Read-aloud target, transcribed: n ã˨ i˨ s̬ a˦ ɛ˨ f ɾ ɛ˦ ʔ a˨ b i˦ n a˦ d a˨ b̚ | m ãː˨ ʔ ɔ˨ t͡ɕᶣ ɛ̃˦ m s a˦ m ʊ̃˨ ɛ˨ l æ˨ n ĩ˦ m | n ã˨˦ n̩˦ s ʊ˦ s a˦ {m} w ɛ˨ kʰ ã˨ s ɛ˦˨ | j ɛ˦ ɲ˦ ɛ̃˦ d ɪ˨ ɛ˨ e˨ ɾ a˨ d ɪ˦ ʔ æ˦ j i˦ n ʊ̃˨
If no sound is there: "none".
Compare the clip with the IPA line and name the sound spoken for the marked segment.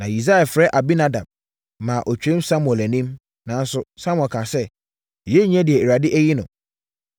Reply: m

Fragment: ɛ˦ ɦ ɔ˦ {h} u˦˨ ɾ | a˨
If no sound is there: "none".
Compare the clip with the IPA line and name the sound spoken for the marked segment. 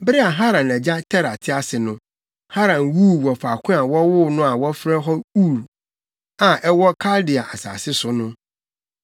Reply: none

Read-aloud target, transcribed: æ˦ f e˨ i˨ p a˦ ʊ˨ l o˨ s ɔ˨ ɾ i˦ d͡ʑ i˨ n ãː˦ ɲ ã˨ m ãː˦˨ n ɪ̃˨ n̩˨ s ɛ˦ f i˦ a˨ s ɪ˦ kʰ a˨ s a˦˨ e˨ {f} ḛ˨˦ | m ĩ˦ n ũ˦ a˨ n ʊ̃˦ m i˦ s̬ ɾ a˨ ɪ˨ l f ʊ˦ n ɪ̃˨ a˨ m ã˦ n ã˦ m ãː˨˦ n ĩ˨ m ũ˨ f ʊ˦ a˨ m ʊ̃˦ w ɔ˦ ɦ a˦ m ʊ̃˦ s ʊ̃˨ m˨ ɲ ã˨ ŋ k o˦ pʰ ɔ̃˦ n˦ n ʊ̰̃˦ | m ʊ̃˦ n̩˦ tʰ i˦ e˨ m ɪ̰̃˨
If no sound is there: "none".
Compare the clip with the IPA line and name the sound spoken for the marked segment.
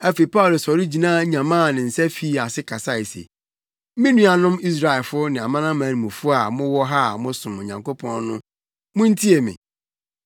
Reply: s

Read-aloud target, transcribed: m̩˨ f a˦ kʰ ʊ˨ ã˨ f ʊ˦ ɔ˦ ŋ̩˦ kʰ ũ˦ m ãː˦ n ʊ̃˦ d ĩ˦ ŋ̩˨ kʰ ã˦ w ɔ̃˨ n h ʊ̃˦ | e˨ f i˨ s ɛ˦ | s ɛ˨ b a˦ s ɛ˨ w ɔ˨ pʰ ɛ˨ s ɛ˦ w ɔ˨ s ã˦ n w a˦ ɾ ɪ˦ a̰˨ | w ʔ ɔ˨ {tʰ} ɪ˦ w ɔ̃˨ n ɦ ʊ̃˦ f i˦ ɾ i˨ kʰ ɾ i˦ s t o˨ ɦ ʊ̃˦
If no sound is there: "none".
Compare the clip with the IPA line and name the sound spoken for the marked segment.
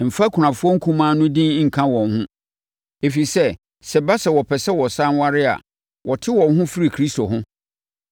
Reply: tʰ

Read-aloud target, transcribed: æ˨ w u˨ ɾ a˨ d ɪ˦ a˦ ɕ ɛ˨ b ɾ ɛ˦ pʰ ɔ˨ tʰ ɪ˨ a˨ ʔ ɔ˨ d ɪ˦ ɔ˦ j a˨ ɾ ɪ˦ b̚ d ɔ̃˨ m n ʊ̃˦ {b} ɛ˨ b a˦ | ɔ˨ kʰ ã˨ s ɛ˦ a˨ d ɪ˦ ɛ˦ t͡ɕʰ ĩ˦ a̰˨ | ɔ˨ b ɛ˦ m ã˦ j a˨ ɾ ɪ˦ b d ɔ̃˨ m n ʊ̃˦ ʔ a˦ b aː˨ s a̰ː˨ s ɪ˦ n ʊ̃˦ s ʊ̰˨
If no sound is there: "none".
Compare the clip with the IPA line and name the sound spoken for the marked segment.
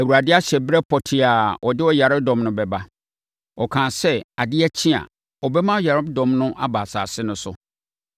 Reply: b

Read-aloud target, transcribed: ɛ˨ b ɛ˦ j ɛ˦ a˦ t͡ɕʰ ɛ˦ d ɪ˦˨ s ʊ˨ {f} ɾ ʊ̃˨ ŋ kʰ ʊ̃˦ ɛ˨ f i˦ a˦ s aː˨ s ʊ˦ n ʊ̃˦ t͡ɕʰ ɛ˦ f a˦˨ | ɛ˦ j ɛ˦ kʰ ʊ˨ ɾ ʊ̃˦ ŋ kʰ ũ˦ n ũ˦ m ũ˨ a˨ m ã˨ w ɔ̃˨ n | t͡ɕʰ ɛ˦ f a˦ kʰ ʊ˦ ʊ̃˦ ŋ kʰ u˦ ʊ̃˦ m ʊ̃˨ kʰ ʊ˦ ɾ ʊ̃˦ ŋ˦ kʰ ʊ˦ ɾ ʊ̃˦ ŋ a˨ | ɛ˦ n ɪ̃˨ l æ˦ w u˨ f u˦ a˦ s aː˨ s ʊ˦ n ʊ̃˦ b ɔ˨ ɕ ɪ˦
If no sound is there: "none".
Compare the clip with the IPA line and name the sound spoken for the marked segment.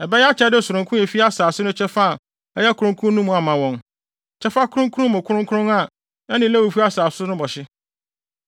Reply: none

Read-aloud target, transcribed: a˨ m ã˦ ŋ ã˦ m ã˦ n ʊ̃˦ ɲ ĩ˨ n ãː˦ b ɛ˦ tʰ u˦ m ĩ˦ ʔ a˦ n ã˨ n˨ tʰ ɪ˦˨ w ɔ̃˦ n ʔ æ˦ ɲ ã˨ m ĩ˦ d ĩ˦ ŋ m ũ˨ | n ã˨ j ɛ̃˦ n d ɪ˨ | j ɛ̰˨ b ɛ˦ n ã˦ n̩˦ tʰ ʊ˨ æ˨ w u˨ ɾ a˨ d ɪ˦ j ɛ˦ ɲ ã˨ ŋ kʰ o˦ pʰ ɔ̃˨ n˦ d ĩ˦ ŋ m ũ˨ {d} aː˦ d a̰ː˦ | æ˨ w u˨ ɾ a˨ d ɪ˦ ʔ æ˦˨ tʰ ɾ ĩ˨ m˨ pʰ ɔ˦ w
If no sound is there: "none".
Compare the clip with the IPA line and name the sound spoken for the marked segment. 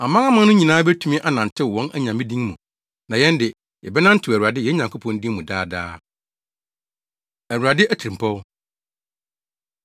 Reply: d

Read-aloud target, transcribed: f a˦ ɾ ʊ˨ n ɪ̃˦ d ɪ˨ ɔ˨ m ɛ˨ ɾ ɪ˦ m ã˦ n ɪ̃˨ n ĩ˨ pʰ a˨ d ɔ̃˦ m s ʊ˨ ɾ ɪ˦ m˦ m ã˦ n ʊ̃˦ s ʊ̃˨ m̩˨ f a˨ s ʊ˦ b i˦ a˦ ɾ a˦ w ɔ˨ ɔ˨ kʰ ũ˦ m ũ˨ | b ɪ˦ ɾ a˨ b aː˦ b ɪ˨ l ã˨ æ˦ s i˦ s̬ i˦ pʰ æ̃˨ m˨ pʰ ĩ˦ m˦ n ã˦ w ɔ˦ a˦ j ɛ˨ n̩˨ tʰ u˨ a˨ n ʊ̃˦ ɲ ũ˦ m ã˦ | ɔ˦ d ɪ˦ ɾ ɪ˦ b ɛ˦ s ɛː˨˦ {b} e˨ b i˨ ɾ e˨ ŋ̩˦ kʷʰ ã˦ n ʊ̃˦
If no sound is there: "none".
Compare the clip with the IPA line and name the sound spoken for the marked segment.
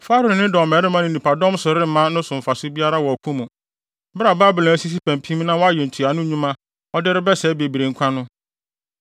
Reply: b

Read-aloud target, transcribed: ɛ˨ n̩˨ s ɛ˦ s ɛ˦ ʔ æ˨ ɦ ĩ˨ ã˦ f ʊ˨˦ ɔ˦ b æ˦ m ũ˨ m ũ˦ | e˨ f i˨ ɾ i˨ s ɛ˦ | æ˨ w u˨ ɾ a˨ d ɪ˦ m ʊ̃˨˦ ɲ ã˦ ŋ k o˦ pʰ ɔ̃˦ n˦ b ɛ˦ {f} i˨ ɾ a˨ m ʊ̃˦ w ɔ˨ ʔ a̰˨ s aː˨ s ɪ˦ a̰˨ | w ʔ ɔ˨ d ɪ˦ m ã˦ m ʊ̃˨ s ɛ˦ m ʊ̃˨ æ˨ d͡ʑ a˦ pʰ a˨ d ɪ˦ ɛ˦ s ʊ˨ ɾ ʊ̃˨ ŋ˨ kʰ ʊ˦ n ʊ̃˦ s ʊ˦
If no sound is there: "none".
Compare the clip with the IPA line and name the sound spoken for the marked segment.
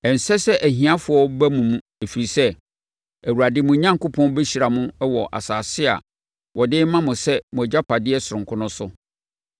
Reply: ɕ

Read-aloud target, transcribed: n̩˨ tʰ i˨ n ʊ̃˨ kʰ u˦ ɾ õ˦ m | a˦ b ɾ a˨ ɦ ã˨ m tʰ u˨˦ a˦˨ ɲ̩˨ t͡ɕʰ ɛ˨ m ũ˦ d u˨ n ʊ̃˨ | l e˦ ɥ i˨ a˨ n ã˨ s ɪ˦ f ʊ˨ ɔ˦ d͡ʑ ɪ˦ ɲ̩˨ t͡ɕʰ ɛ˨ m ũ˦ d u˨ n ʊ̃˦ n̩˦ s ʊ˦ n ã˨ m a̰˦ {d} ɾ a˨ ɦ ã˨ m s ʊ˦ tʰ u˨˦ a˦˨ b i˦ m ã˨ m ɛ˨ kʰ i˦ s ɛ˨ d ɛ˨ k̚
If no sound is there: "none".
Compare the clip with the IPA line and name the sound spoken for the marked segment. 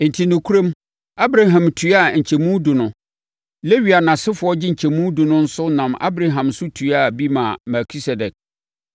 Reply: b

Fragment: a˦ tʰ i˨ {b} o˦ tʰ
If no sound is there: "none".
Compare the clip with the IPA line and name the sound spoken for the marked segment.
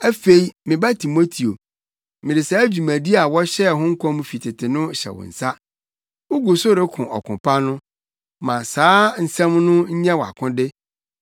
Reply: m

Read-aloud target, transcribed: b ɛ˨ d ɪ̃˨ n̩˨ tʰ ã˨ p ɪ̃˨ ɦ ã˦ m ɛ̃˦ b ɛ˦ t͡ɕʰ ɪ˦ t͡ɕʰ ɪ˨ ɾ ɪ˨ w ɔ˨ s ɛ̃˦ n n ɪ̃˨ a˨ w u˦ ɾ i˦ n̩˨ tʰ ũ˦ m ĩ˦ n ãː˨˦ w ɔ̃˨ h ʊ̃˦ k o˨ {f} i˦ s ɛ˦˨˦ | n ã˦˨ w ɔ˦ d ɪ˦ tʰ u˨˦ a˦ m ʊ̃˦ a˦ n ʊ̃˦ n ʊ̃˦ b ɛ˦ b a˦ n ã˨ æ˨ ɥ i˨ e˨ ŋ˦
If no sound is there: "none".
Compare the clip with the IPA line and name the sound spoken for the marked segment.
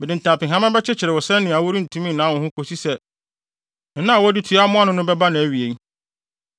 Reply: s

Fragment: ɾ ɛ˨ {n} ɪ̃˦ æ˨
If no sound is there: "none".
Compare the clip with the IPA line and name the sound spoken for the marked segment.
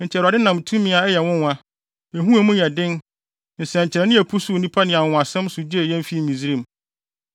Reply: n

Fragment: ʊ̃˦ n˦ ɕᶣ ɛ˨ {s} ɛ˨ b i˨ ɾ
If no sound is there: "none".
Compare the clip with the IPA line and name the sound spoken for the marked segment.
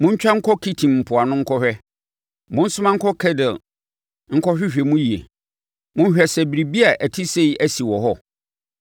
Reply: s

